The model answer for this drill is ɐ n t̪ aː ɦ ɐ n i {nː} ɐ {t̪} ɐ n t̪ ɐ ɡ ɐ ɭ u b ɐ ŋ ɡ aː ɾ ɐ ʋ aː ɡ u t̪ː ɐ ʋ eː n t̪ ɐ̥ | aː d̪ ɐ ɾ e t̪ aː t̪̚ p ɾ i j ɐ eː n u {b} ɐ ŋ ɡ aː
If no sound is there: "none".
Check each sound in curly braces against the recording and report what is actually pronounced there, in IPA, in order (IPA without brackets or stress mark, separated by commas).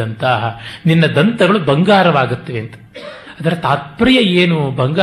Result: nː, d̪, b